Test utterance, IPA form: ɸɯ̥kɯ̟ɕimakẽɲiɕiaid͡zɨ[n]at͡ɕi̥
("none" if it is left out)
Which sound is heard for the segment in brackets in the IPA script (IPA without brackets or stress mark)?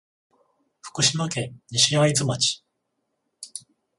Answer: m